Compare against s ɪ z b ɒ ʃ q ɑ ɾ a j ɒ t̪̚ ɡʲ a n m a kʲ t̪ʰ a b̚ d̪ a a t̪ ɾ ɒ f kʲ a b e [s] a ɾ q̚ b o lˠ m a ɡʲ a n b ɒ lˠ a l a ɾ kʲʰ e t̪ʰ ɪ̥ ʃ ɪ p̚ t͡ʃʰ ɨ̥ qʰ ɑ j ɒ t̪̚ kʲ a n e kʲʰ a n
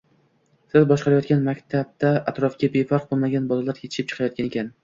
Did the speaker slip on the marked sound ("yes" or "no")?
yes